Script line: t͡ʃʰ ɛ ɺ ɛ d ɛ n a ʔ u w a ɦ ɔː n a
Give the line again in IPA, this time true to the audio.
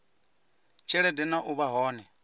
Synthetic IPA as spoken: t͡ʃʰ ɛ ɺ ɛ d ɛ n a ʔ u β a ɦ ɔː n ɛ